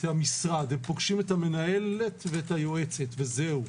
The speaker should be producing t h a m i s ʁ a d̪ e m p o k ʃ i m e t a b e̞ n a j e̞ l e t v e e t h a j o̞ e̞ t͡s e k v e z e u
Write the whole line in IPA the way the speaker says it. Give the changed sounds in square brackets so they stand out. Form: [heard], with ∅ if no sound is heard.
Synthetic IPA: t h a m i s ʁ a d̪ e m p o [ɡ] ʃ i m e t a [m] e̞ n a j e̞ l e t v e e t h a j o̞ e̞ t͡s e [t] v e z e u

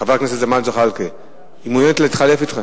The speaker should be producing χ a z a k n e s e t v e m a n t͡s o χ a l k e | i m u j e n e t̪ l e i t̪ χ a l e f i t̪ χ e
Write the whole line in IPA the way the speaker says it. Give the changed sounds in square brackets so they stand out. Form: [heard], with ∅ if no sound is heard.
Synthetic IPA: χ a [v] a k n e s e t [z] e m a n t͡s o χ a l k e | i m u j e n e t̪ l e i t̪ χ a l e f i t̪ χ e

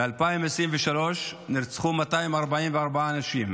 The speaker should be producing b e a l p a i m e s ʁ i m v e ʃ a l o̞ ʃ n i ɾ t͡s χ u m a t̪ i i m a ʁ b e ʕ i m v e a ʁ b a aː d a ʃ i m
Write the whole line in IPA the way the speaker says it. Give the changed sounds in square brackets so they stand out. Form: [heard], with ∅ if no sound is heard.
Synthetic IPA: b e a l p a i m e s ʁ i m v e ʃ a l o̞ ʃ n i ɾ t͡s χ u m a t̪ [a] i m a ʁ b [a] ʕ i m v e a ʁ b a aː [n] a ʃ i m

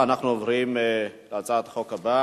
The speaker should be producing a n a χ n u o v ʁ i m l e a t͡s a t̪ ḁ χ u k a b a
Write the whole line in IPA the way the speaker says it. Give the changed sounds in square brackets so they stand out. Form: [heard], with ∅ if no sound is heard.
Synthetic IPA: a n a χ n u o v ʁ i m l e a t͡s a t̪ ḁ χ [o] k a b a

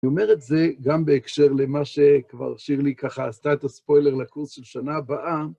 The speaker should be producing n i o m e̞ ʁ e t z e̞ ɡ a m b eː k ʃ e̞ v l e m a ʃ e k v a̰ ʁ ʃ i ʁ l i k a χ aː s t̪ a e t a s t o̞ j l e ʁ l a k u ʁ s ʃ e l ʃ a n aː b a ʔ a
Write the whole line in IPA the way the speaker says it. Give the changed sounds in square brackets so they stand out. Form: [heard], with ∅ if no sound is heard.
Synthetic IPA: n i o m e̞ ʁ e t z e̞ ɡ a m b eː k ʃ e̞ [ʁ] l e m a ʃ e k v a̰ ʁ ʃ i ʁ l i k a χ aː s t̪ a e t a s [p] o̞ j l e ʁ l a k u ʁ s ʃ e l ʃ a n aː b a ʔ a

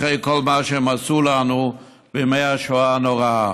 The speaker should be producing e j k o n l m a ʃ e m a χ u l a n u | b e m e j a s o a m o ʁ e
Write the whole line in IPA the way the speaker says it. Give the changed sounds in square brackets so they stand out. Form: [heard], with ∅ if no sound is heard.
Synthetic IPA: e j k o [∅] l m a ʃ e m a [s] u l a n u | b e m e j a [ʃ] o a [n] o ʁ [a]

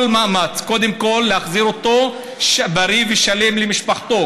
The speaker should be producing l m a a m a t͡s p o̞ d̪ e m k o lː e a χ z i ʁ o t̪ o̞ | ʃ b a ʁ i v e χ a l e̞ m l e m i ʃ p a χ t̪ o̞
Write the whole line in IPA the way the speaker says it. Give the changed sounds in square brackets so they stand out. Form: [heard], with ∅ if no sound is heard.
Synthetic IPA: l m a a m a t͡s [k] o̞ d̪ e m k o lː e a χ z i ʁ o t̪ o̞ | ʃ b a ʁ i v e [ʃ] a l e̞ m l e m i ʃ p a χ t̪ o̞

